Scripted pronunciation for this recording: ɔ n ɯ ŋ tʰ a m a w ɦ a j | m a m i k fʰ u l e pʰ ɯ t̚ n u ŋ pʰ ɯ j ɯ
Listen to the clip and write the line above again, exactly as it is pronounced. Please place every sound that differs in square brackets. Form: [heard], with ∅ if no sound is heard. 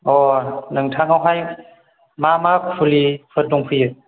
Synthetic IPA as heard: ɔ n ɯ ŋ tʰ a [ŋ] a w ɦ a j | m a m [a] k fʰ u l [i] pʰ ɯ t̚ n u ŋ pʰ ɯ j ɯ